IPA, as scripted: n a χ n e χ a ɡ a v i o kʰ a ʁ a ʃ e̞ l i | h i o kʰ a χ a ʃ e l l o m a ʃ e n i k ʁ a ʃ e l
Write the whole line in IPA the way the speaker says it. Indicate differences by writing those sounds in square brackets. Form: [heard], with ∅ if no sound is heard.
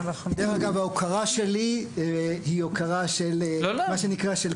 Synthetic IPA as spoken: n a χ [d] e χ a ɡ a v [a] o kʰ a ʁ a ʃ e̞ l i | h i o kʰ a [ʁ] a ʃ e l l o m a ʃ e n i k ʁ a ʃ e l